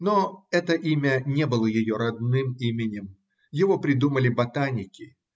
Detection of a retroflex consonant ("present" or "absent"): absent